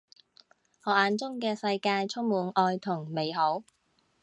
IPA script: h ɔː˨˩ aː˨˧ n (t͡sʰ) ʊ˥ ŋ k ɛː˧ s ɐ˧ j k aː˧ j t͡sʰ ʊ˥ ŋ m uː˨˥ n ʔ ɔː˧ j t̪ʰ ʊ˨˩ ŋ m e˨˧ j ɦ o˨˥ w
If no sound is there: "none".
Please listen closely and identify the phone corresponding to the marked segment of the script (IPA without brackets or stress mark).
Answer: t͡s